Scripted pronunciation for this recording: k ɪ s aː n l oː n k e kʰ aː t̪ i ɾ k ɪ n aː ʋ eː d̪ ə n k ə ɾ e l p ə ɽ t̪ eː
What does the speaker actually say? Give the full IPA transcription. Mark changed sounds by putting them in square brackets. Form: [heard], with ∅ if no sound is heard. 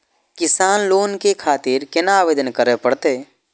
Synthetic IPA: k ɪ s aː n l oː n k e kʰ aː t̪ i ɾ k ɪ n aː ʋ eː d̪ ə n k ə ɾ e [∅] p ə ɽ t̪ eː